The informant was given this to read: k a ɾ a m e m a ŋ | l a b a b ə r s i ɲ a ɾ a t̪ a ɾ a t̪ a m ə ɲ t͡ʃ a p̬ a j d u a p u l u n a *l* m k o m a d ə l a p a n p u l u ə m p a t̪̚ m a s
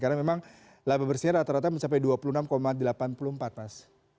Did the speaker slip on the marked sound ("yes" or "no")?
yes